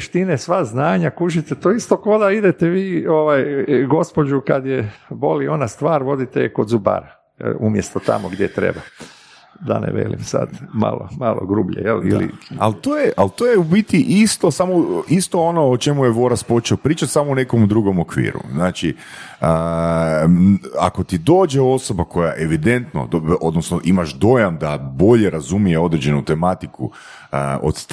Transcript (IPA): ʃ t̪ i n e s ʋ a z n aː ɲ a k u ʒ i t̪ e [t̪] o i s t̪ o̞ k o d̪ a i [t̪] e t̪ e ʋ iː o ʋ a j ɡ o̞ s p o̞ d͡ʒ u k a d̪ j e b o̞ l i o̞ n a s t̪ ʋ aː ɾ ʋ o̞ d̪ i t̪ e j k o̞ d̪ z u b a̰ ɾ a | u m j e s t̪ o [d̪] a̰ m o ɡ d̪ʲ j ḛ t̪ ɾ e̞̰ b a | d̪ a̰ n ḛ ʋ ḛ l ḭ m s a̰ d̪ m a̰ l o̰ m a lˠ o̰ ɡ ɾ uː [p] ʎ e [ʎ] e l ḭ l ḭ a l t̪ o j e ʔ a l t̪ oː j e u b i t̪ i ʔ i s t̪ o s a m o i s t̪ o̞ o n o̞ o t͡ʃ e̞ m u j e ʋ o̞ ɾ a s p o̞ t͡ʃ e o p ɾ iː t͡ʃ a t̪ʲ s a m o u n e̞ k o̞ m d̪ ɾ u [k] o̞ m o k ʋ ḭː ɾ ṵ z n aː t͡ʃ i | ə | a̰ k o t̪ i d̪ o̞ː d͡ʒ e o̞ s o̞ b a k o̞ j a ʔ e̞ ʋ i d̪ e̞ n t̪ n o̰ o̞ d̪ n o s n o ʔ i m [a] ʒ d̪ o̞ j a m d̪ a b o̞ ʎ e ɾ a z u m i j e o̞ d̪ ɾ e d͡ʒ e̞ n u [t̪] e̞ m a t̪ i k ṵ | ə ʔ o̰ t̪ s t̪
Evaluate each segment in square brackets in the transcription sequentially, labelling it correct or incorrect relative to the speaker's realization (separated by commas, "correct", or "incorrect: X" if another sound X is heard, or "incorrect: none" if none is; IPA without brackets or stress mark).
correct, incorrect: d̪, incorrect: t̪, incorrect: b, incorrect: j, incorrect: ɡ, correct, correct